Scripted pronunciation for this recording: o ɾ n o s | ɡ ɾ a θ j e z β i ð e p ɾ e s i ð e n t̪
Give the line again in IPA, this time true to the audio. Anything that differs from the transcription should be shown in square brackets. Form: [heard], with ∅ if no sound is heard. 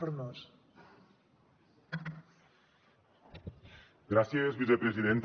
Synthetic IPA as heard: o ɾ n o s | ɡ ɾ a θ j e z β i [θ] e p ɾ e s i ð e n t̪